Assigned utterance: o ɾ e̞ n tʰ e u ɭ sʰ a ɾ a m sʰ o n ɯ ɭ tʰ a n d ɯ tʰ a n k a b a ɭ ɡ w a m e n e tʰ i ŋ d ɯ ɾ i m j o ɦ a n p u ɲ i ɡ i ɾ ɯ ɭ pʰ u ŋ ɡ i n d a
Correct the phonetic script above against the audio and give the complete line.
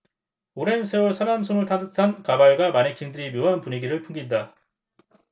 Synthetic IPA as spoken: o ɾ e̞ n sʰ e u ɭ sʰ a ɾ a m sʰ o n ɯ ɭ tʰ a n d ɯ tʰ a n k a b a ɭ ɡ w a m a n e kʰ i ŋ d ɯ ɾ i m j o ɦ a n p u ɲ i ɡ i ɾ ɯ ɭ pʰ u ŋ ɡ i n d a